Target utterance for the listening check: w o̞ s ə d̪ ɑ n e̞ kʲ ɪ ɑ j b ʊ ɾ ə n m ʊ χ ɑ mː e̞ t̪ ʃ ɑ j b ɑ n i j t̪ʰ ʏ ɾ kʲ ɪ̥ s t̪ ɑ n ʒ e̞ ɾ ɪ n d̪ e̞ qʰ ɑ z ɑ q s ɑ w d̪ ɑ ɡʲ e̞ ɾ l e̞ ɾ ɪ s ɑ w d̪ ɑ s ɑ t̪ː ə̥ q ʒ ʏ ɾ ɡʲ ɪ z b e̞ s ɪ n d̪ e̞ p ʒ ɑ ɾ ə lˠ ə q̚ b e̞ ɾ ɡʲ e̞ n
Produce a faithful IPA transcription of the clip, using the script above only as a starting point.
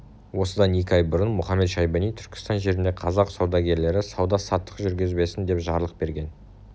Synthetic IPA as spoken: w o̞ s ə d̪ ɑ n e̞ kʲ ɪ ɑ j b ʊ ɾ ə n m ʊ χ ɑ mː e̞ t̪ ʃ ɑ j b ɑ n i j t̪ʰ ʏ ɾ kʲ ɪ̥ s t̪ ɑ n ʒ e̞ ɾ ɪ n d̪ e̞ qʰ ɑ z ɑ q s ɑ w d̪ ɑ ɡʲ e̞ ɾ l e̞ ɾ ɪ s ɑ w d̪ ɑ s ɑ t̪ː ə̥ q ʒ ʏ ɾ ɡʲ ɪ z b e̞ s ɪ n d̪ e̞ p ʒ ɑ ɾ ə lˠ ə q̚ b e̞ ɾ ɡʲ e̞ n